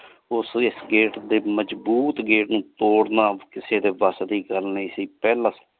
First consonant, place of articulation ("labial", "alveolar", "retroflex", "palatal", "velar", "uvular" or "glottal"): alveolar